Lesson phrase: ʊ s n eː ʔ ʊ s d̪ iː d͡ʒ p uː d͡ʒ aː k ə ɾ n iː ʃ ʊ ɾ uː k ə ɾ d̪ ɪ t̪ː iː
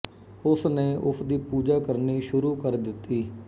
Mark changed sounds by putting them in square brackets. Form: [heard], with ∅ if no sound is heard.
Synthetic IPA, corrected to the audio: ʊ s n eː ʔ ʊ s d̪ iː [∅] p uː d͡ʒ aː k ə ɾ n iː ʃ ʊ ɾ uː k ə ɾ d̪ ɪ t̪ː iː